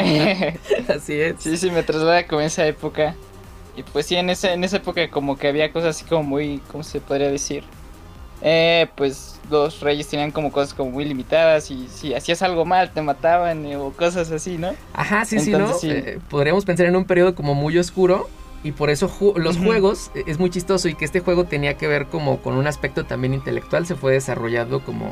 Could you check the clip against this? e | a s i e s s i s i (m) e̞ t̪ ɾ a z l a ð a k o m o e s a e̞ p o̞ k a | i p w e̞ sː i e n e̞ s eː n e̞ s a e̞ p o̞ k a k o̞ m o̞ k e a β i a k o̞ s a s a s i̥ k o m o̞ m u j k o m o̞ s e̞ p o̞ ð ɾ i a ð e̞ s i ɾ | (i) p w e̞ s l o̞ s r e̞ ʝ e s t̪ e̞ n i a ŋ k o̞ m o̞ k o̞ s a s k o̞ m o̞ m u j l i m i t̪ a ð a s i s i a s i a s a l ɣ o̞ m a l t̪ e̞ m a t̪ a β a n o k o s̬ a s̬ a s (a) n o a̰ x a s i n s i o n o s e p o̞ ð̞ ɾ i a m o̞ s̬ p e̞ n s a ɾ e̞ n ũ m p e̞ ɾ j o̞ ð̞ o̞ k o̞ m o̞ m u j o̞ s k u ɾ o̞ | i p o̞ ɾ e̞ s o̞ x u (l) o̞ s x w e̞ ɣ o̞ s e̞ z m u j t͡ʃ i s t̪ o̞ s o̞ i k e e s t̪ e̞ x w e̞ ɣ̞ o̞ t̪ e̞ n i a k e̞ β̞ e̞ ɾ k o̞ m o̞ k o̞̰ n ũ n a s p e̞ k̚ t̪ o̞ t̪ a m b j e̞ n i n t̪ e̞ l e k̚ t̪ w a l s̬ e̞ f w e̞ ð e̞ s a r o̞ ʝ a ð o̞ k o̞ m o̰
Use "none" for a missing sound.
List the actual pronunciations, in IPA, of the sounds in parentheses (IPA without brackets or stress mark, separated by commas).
m, e, i, l